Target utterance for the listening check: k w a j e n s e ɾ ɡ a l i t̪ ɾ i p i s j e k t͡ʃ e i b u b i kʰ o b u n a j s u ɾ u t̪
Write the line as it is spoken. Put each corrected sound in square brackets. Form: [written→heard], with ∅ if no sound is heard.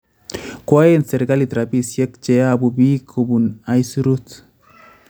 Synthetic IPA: k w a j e n s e ɾ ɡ a l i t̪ ɾ [i→a] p i s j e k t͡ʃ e [i→a] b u b i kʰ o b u n a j s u ɾ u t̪